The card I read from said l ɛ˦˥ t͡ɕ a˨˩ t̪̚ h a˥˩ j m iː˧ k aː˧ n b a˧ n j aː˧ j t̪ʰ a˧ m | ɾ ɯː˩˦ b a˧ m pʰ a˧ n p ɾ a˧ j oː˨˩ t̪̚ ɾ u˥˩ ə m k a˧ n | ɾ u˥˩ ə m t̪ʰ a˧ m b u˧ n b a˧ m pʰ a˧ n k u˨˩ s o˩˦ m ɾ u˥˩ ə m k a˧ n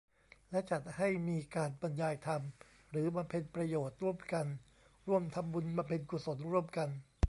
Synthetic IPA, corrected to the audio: l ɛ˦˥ t͡ɕ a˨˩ t̪̚ h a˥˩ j m iː˧ k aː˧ n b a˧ n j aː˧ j t̪ʰ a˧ m | ɾ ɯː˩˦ b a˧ m pʰ e˧ n p ɾ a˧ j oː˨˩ t̪̚ ɾ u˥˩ ə m k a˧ n | ɾ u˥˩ ə m t̪ʰ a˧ m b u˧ n b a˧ m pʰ e˧ n k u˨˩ s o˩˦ n ɾ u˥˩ ə m k a˧ n